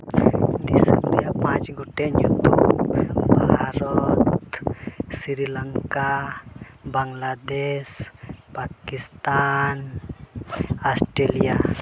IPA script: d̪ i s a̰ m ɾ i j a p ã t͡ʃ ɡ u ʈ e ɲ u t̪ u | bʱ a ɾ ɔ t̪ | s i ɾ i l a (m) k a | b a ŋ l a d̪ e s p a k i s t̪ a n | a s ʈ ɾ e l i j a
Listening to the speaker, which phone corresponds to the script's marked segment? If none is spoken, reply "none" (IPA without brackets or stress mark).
ŋ